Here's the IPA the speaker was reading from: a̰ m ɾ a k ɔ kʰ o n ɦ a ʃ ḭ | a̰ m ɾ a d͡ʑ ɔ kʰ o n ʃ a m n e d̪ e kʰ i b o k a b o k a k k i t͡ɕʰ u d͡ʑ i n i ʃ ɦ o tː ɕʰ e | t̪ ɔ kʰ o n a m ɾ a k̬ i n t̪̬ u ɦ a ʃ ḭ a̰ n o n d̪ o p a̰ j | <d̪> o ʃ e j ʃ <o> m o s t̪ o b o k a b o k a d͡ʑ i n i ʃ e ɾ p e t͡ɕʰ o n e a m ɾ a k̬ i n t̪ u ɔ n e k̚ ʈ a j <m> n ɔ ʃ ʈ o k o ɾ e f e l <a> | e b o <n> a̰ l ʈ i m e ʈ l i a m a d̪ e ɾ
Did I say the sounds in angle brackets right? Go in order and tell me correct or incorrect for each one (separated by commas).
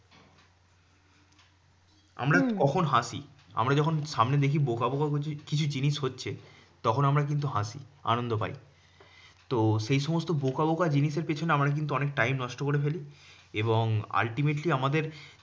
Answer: incorrect, incorrect, correct, incorrect, incorrect